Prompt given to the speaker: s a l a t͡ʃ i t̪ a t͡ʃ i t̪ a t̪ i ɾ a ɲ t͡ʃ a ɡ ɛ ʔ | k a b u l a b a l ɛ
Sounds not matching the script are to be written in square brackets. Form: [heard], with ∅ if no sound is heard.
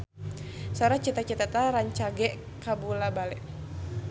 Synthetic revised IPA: s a [ɾ] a t͡ʃ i t̪ a t͡ʃ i t̪ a t̪ [a] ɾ a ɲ t͡ʃ a ɡ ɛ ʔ | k a b u l a b a l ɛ